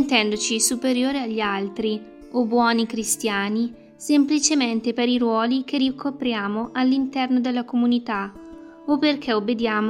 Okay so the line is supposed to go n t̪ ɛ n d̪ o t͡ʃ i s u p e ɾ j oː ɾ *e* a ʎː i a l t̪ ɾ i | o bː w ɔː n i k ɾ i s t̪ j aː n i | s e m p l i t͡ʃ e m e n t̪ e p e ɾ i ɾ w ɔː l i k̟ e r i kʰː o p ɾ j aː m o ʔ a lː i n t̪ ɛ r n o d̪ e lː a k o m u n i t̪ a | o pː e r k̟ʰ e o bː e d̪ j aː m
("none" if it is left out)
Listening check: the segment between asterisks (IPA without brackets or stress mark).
e